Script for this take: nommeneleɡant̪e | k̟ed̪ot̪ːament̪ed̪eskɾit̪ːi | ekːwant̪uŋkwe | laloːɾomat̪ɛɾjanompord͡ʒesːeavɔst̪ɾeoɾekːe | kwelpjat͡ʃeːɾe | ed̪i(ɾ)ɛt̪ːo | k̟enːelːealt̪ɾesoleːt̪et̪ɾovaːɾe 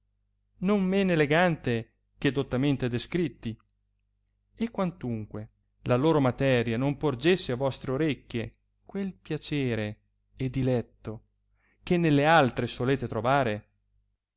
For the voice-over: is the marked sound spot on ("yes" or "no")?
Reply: no